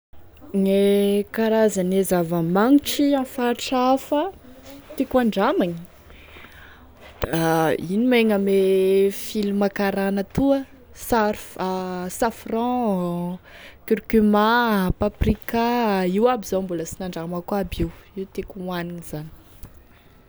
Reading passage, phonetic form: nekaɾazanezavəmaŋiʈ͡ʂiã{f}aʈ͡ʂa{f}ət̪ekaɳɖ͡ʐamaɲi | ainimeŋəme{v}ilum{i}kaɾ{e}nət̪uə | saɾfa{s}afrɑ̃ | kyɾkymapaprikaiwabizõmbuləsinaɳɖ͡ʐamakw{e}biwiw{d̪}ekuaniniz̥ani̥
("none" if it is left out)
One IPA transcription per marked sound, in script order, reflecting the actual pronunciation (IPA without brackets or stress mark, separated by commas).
f, f, f, a, a, s, a, t̪